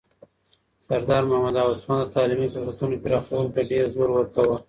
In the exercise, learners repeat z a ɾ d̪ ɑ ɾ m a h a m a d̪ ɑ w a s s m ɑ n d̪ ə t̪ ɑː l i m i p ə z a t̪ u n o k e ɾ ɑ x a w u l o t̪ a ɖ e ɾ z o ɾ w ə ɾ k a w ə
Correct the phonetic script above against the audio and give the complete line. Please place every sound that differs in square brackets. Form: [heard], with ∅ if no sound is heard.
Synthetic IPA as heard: [s] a ɾ d̪ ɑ ɾ m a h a m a d̪ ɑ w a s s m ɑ n d̪ ə t̪ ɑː l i m i p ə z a t̪ u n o k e ɾ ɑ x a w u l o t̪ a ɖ e ɾ z o ɾ w ə ɾ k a w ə